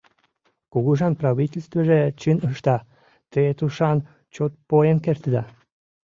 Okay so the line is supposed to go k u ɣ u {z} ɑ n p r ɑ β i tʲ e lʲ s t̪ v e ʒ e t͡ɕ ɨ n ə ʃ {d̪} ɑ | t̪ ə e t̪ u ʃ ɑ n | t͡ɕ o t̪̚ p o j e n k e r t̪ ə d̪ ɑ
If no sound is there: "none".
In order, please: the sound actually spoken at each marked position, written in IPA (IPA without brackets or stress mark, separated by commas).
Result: ʒ, t̪